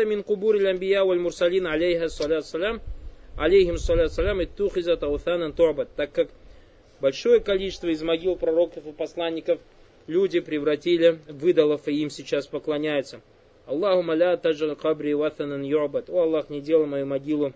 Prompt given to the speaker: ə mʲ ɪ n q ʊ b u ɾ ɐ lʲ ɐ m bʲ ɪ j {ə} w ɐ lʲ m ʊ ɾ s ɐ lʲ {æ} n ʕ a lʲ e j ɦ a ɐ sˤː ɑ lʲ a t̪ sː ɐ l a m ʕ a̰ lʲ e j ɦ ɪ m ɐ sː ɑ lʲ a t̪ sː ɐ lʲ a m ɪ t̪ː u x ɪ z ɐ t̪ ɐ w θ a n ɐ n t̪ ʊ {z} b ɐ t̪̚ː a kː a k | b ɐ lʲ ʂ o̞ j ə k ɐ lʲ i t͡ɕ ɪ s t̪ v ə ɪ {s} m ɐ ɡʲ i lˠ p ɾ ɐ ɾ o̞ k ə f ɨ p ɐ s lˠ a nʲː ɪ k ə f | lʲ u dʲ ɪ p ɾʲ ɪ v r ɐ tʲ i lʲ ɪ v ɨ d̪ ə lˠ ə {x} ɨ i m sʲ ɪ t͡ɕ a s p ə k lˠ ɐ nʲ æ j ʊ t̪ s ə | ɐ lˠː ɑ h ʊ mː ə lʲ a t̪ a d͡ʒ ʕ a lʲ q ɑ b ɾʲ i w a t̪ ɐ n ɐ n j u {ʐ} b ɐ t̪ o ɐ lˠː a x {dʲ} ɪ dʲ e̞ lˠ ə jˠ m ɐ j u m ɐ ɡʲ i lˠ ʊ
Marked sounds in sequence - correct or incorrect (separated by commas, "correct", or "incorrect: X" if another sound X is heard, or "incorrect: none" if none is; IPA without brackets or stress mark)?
incorrect: a, incorrect: i, incorrect: ʕ, incorrect: z, incorrect: f, incorrect: ʕ, incorrect: nʲ